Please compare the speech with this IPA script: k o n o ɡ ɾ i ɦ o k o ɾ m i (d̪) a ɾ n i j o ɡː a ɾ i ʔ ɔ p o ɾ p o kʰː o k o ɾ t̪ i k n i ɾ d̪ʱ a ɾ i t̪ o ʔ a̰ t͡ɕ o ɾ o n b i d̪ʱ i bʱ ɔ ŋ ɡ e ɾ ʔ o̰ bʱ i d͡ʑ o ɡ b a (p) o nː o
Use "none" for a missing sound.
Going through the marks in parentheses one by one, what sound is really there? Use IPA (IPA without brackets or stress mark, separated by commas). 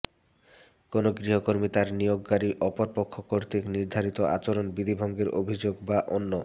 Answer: t̪, ʔ